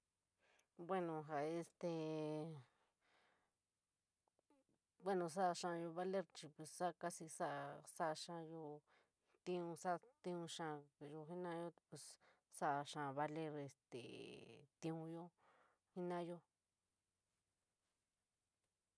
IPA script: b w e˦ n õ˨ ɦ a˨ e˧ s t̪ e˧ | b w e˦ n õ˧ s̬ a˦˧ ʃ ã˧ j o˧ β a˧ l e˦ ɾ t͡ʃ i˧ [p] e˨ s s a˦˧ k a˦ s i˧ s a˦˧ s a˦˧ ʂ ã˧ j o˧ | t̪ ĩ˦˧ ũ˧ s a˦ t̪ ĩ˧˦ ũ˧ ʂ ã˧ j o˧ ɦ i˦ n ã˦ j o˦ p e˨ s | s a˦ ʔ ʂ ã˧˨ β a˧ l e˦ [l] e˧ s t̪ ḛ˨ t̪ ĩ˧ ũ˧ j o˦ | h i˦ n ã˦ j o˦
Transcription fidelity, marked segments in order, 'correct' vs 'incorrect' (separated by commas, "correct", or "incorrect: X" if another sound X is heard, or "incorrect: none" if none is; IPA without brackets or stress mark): correct, incorrect: ɾ